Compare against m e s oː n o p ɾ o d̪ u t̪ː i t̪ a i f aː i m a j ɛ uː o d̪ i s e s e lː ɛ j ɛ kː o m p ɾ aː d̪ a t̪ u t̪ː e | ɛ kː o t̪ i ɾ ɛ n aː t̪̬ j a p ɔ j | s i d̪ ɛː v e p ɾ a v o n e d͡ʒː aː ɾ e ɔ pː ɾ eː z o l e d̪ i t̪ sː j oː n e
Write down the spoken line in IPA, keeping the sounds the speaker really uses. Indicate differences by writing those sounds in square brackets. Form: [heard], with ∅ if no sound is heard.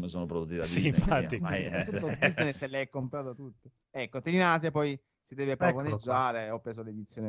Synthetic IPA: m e s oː n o p ɾ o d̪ u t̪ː i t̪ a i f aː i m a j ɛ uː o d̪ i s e s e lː ɛ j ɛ kː o m p ɾ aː [t̪] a t̪ u t̪ː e | ɛ kː o t̪ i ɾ [i] n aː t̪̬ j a p ɔ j | s i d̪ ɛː v e p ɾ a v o n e d͡ʒː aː ɾ e ɔ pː ɾ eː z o l e d̪ i t̪ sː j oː n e